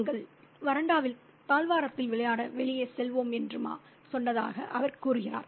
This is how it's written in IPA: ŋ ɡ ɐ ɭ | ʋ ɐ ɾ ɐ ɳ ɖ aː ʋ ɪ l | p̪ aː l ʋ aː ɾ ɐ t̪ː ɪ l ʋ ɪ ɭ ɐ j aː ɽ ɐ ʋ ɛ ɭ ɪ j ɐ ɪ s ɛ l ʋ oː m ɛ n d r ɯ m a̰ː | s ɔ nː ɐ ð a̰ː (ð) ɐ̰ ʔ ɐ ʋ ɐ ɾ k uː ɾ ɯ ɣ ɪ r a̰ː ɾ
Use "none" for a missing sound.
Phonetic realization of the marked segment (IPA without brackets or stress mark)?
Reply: ɣ